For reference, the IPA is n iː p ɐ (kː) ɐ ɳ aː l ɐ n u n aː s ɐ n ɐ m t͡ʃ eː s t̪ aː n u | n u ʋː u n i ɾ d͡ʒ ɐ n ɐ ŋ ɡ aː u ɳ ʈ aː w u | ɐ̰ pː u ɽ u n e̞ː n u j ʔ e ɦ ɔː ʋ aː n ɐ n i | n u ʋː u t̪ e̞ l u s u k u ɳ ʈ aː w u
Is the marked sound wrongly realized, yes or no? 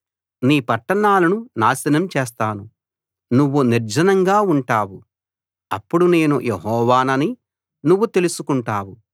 yes